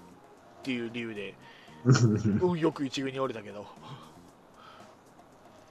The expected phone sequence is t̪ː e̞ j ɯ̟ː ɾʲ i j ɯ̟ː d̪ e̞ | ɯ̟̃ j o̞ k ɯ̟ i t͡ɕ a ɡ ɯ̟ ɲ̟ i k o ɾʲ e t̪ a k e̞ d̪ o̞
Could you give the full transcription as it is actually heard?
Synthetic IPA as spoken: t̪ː e̞ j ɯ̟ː ɾʲ i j ɯ̟ː d̪ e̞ | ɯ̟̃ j o̞ k ɯ̟ i t͡ɕ i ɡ ɯ̟ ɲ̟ i o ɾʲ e t̪ a k e̞ d̪ o̞